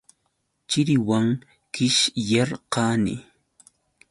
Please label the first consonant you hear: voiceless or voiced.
voiceless